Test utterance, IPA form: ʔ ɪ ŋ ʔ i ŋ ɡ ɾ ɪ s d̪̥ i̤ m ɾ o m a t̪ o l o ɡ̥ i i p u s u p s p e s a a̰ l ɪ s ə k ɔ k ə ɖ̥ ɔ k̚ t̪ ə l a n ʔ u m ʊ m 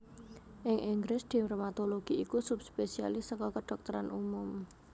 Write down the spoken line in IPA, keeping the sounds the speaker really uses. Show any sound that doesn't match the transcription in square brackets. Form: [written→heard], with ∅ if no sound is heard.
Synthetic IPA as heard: ʔ ɪ ŋ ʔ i ŋ ɡ ɾ ɪ s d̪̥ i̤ m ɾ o m a t̪ o l o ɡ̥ i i [p→k] u s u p s p e s [a→i] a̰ l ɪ s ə k ɔ k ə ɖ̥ ɔ k̚ t̪ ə [l→ɾ] a n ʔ u m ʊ m